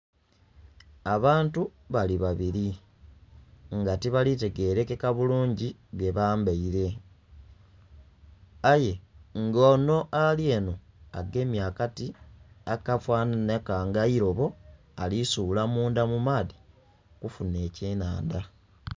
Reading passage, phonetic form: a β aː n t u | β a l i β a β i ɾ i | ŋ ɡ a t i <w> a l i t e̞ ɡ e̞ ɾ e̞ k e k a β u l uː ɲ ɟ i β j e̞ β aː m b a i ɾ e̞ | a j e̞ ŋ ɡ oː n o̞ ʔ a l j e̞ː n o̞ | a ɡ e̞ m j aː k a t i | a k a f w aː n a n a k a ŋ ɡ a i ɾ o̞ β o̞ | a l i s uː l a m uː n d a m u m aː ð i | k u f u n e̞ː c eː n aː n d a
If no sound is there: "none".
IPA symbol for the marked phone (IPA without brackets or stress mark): β